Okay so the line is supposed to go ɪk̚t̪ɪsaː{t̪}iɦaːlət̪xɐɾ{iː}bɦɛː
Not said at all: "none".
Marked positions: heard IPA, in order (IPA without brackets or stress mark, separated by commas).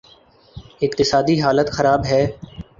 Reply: d̪, aː